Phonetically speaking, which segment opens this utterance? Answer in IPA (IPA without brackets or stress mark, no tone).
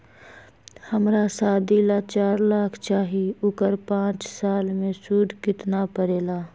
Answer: h